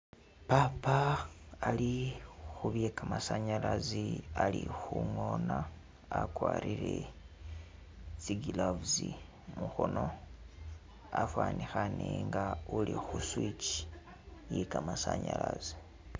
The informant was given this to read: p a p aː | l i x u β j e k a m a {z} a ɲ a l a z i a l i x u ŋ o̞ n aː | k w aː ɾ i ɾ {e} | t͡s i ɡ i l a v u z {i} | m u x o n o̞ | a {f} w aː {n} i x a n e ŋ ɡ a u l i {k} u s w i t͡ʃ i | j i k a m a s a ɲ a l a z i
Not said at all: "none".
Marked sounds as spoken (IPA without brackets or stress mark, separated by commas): s, e, i, f, n, x